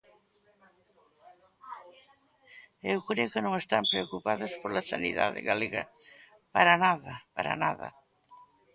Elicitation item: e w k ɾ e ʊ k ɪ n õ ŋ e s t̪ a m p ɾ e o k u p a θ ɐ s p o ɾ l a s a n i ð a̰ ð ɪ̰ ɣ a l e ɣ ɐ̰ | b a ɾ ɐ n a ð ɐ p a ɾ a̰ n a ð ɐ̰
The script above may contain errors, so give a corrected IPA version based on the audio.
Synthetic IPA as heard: e w k ɾ e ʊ k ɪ n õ ŋ e s t̪ a m p ɾ e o k u p a ð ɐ s p o ɾ l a s a n i ð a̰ ð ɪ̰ ɣ a l e ɣ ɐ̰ | p a ɾ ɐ n a ð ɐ p a ɾ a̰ n a ð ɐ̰